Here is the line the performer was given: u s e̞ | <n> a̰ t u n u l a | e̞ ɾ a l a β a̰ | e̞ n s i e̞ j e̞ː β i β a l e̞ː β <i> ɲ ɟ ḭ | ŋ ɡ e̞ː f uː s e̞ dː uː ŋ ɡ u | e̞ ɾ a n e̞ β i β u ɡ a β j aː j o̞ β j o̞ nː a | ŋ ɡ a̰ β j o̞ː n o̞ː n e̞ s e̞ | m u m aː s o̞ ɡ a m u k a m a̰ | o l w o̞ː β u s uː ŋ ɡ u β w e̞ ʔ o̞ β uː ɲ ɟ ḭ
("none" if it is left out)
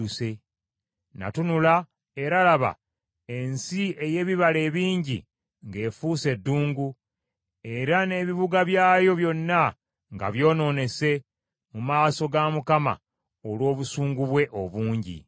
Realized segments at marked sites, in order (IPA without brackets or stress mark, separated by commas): n, iː